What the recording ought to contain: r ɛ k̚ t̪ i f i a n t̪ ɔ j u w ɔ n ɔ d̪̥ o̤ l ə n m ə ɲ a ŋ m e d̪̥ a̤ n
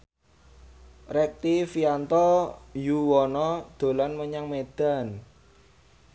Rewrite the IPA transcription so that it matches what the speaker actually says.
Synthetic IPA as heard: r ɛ k̚ t̪ i f i a n t̪ ɔ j u w ɔ n ɔ d̪̥ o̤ l a n m ə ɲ a ŋ m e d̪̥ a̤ n